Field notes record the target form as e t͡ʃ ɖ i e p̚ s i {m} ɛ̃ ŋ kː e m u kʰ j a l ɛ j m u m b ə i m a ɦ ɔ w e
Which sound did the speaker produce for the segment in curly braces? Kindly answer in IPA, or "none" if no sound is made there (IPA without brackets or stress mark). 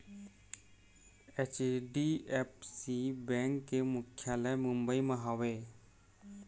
b